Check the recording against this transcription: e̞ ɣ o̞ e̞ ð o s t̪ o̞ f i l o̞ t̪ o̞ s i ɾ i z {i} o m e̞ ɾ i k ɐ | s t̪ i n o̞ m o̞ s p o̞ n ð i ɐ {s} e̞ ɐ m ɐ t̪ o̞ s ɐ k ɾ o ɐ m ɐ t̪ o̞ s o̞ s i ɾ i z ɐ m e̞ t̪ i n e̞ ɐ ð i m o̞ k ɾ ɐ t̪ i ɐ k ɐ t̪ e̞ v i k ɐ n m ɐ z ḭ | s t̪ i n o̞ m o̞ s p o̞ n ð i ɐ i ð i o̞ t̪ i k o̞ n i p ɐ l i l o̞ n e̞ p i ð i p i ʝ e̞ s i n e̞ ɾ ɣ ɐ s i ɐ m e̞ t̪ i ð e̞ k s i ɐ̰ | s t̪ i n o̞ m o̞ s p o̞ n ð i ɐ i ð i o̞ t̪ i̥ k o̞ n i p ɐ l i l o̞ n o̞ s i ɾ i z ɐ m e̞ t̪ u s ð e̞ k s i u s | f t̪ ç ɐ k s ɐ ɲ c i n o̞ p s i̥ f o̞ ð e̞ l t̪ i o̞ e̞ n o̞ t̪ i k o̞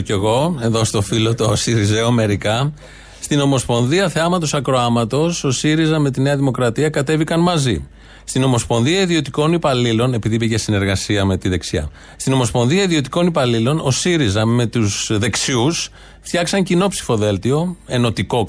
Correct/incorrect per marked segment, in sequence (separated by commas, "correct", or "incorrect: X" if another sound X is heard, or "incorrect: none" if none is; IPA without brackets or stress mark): incorrect: e, incorrect: θ